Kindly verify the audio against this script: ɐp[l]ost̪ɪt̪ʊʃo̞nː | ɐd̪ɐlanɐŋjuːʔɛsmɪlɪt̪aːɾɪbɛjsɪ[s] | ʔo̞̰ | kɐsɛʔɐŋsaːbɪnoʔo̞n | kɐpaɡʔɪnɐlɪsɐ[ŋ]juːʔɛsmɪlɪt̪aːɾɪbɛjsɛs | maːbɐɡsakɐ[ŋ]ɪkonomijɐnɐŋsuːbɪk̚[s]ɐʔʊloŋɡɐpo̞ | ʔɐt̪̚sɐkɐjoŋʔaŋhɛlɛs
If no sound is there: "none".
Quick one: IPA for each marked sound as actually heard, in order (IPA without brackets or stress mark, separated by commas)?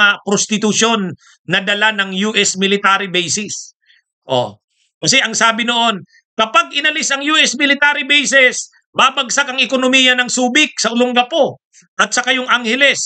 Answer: ɾ, s, ŋ, ŋ, s